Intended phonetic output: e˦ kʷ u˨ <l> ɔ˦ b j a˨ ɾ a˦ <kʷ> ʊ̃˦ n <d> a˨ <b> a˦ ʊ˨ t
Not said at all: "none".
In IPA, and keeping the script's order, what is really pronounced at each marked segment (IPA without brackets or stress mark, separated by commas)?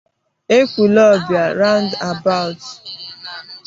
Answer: l, none, d, b